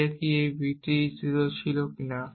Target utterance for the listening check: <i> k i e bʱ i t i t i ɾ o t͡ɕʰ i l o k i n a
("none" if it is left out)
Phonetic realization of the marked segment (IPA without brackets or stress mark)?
e